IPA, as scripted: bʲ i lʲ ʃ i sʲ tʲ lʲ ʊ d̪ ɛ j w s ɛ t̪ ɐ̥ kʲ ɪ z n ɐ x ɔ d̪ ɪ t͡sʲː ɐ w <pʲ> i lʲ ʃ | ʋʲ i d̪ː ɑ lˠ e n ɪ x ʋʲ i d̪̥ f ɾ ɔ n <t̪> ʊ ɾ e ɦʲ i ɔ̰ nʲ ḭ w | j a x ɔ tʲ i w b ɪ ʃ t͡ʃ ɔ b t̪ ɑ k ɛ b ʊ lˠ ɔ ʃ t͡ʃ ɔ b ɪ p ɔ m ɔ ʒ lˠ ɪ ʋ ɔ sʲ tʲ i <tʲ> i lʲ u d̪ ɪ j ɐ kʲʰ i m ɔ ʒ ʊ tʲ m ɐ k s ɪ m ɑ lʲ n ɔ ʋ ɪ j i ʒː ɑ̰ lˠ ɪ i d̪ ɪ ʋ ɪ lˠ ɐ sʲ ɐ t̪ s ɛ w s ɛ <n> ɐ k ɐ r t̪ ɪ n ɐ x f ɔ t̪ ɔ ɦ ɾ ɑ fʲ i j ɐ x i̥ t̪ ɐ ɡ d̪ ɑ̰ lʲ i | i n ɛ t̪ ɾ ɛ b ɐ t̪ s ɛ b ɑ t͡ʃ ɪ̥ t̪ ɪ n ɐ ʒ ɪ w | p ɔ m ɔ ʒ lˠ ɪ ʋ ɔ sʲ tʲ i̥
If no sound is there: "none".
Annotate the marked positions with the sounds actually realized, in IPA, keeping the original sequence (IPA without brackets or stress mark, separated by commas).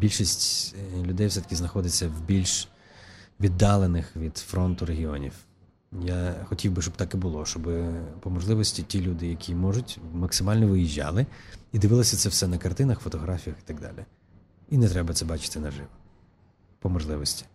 bʲ, t̪, tʲ, n